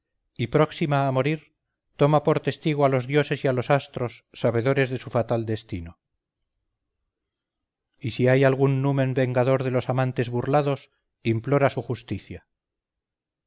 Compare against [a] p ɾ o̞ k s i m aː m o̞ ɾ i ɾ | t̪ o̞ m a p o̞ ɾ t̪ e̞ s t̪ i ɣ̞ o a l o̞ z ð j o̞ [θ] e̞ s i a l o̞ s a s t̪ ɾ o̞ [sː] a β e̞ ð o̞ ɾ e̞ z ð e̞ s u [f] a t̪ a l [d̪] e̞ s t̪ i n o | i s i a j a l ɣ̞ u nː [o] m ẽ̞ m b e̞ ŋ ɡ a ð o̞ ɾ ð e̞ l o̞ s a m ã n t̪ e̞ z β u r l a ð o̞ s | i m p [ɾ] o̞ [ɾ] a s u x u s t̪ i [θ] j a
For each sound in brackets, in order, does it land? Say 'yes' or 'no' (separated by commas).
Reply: no, no, yes, yes, yes, no, no, yes, yes